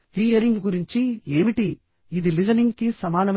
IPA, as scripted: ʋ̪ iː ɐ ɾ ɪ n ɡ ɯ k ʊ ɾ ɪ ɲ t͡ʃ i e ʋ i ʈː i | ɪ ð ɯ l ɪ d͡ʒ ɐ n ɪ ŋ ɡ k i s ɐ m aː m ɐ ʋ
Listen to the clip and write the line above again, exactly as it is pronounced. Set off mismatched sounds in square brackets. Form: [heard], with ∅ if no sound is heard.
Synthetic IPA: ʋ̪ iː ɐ ɾ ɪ [ŋ] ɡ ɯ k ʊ ɾ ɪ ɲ t͡ʃ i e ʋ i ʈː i | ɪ ð ɯ l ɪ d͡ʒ ɐ n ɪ ŋ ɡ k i s ɐ m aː [n] ɐ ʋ